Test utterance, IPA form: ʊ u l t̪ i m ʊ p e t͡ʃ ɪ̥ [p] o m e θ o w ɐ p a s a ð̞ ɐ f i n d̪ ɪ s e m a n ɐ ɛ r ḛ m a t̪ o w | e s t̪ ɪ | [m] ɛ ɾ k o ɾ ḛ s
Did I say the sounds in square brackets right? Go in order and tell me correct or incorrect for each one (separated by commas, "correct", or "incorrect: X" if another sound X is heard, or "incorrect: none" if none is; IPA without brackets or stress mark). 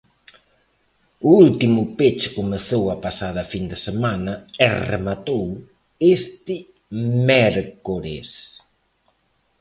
incorrect: k, correct